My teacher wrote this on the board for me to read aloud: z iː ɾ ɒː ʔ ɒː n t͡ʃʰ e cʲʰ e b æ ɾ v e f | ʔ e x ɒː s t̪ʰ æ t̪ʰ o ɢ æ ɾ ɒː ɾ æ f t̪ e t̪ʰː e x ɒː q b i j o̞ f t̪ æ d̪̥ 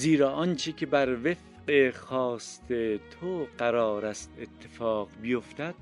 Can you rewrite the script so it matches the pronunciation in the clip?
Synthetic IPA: z iː ɾ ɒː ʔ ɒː n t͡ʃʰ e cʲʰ e b æ ɾ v e f | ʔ e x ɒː s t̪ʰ e t̪ʰ o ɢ æ ɾ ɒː ɾ æ s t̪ e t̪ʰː e f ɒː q b i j o̞ f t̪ æ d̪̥